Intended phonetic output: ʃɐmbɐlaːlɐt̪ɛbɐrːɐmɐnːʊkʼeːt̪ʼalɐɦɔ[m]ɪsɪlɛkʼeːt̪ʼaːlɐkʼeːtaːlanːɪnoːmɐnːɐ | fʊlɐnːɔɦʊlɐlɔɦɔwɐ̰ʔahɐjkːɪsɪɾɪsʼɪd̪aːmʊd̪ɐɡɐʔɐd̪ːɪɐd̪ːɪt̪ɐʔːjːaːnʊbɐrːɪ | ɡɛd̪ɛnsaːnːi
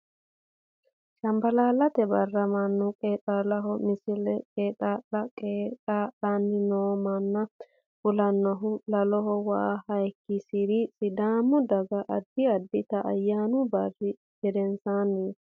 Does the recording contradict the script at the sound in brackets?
no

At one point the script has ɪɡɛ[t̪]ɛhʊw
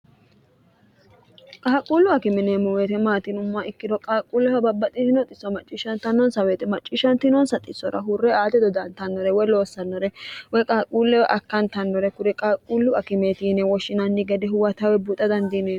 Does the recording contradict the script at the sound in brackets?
yes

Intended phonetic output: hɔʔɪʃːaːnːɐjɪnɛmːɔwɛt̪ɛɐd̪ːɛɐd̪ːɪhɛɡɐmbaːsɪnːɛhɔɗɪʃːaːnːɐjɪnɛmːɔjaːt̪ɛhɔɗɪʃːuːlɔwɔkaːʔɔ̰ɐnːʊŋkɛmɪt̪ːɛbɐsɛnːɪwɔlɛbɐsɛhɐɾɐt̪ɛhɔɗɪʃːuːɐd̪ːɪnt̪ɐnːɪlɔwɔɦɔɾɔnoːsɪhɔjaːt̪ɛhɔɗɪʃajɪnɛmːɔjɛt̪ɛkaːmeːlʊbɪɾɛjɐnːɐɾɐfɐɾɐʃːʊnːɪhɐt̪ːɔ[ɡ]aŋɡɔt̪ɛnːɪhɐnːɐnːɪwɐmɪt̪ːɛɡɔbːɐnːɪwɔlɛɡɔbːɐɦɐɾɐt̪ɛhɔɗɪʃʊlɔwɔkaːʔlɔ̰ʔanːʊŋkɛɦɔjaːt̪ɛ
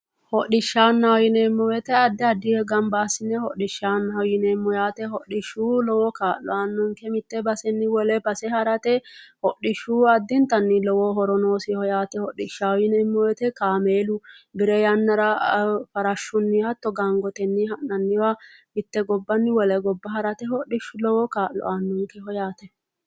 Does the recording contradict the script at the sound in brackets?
no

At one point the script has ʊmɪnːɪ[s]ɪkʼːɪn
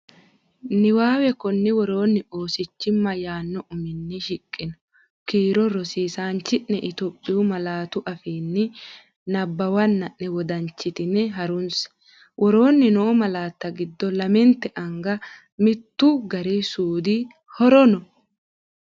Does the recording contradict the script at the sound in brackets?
yes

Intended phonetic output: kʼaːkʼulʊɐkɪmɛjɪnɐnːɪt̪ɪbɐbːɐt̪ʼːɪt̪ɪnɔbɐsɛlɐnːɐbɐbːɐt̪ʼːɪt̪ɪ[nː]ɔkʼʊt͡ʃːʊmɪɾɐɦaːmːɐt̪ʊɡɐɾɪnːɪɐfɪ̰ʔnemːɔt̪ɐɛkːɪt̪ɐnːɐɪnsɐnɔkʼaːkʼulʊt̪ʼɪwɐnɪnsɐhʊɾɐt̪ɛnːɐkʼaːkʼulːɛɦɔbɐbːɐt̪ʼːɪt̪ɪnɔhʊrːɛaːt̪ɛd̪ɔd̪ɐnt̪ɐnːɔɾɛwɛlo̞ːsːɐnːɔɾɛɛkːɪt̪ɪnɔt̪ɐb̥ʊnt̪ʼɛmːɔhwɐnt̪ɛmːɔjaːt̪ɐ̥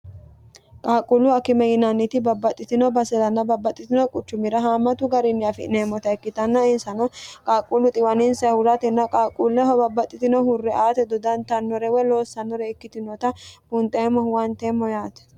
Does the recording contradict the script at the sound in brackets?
yes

